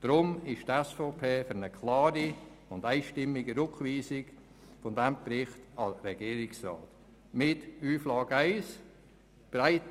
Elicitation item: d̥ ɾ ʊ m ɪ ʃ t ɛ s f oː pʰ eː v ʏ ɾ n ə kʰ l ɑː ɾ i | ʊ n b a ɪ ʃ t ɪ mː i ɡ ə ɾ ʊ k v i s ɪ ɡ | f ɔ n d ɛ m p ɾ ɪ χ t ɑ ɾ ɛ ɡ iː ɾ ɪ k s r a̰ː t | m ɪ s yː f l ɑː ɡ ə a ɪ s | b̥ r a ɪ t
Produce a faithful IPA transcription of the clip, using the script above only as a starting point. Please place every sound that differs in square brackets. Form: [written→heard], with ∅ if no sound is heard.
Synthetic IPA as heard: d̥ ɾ ʊ m ɪ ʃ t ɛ s f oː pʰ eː [v→f] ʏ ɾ n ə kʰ l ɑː ɾ i | ʊ n [b→d] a ɪ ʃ t ɪ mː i ɡ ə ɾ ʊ k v [i→iː] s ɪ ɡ | f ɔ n d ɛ m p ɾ ɪ χ t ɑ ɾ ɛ ɡ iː ɾ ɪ k s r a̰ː t | m ɪ [s→t] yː f l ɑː ɡ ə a ɪ s | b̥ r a ɪ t